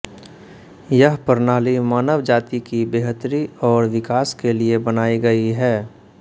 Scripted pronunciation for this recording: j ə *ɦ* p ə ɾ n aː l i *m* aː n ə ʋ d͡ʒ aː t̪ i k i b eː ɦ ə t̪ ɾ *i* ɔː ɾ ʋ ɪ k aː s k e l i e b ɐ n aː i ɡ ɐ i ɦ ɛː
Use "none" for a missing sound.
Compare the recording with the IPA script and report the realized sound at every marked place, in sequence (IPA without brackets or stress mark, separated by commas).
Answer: ɦ, m, i